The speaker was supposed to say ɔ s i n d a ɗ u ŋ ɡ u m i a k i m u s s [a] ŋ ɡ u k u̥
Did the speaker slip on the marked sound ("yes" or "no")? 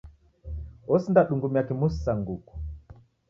no